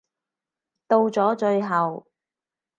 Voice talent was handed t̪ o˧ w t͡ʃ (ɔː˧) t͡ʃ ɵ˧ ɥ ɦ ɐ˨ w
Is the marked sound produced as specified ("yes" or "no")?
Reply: no